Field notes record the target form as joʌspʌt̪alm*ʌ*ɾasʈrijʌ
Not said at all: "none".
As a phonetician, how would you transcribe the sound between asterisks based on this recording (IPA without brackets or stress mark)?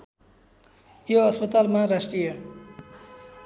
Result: a